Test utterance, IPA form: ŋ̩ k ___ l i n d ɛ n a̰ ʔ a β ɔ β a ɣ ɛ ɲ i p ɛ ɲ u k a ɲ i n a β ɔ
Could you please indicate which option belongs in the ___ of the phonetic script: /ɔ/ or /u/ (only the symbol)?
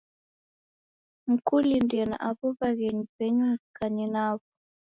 u